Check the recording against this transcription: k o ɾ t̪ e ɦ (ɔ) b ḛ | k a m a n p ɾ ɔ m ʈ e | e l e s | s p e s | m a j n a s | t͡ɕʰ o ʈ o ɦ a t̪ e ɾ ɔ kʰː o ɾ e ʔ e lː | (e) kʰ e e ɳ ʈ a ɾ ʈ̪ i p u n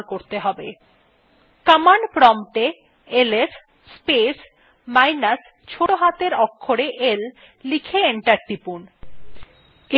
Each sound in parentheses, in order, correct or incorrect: correct, incorrect

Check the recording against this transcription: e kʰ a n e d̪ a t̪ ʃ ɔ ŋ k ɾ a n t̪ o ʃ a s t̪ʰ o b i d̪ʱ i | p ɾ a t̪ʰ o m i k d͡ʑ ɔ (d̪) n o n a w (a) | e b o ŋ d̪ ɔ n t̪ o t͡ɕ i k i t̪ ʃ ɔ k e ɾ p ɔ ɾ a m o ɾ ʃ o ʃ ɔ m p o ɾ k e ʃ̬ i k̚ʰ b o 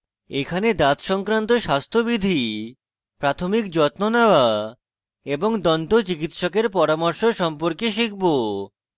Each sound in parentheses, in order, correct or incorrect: incorrect, correct

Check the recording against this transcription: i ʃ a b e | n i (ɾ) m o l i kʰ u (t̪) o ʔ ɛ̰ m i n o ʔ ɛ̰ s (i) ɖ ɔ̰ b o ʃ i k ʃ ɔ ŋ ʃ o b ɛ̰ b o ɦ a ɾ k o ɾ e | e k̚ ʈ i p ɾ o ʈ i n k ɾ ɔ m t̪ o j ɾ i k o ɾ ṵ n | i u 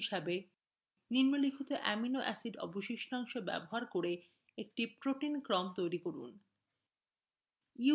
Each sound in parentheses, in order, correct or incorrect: correct, correct, correct

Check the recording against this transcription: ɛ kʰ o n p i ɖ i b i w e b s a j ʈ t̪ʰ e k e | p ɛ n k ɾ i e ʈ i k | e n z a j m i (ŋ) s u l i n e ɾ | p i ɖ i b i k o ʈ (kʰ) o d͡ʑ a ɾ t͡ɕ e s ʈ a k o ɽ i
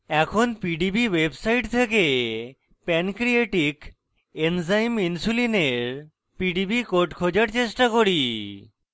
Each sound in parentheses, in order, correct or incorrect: incorrect, correct

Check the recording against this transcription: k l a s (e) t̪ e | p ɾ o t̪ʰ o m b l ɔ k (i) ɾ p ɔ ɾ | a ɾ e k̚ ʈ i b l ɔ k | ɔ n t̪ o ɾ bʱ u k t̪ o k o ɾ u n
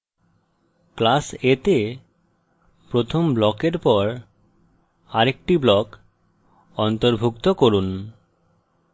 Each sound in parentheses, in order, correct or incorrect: correct, incorrect

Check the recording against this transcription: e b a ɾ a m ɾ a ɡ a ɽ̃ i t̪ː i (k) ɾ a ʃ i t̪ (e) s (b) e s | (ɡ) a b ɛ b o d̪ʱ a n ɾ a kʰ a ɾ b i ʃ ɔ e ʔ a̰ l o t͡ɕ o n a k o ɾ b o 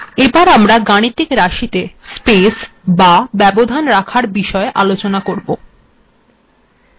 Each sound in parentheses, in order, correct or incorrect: correct, correct, incorrect, incorrect

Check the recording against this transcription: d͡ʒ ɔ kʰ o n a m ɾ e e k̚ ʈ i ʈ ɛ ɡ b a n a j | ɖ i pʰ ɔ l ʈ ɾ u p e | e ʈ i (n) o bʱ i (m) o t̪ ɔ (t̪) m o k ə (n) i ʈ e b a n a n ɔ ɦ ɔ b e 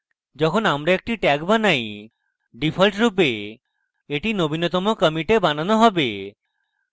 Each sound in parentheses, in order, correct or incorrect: correct, incorrect, incorrect, incorrect

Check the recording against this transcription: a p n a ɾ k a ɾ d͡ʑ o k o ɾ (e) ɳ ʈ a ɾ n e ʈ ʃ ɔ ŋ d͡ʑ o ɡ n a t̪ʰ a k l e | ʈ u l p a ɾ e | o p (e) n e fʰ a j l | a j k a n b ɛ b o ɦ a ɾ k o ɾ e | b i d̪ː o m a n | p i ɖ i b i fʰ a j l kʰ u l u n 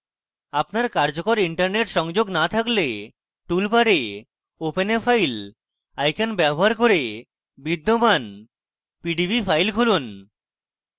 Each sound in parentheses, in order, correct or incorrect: incorrect, correct

